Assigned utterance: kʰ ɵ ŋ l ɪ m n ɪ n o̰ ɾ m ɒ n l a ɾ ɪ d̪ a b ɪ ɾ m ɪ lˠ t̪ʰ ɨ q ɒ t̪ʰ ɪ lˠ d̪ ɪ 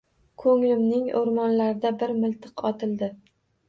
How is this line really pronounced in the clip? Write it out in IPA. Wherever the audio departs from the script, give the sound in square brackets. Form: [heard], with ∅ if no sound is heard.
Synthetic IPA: kʰ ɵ ŋ l ɪ m n ɪ [ŋ] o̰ ɾ m ɒ n l a ɾ ɪ d̪ a b ɪ ɾ m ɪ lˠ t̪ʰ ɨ q ɒ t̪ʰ ɪ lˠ d̪ ɪ